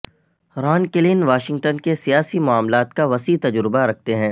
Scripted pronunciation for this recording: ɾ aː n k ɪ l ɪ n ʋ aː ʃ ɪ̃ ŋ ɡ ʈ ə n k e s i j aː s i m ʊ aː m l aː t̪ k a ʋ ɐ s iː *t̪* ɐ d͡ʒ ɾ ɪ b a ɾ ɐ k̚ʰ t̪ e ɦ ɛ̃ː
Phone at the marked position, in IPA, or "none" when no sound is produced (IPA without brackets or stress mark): t̪